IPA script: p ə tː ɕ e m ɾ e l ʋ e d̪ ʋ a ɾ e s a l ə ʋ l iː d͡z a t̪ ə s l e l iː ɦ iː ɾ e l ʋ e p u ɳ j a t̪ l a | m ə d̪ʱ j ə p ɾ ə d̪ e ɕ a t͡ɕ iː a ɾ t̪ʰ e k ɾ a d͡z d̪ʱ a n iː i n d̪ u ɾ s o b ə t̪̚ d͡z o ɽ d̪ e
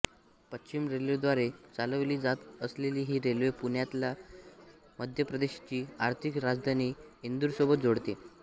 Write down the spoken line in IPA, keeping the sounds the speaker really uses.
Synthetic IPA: p ə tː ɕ i m ɾ e l ʋ e d̪ ʋ a ɾ e t͡s a l ə ʋ l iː d͡z a t̪ ə s l e l iː ɦ iː ɾ e l ʋ e p u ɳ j a t̪ l a | m ə d̪ʱ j ə p ɾ ə d̪ e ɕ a t͡ɕ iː a ɾ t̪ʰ i k ɾ a d͡z d̪ʱ a n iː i n d̪ u ɾ s o b ə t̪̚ d͡z o ɽ t̪ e